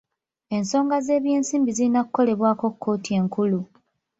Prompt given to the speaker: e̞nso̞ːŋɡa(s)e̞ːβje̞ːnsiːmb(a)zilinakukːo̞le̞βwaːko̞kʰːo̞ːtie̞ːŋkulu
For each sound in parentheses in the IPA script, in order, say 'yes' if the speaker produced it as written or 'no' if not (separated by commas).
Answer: no, no